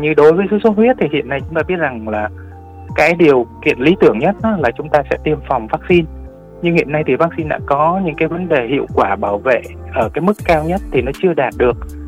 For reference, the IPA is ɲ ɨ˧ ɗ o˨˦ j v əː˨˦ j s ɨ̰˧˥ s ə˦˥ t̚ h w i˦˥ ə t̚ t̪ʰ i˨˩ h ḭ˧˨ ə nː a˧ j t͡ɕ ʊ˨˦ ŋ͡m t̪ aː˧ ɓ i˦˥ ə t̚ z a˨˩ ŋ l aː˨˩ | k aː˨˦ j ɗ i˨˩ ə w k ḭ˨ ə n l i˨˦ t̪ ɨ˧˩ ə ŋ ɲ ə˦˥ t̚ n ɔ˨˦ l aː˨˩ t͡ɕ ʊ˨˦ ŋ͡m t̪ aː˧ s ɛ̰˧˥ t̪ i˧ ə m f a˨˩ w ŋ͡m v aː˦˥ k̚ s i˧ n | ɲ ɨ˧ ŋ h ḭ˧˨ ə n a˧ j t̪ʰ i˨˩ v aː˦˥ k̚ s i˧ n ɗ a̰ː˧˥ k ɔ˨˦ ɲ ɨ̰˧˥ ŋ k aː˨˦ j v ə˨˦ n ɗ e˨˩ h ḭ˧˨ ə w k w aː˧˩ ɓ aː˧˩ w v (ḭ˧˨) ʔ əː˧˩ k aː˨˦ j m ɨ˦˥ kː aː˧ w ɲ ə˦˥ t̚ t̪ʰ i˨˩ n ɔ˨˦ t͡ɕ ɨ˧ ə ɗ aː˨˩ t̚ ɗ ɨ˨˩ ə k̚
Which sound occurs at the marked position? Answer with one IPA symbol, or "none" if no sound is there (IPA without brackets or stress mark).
ḛ˧˨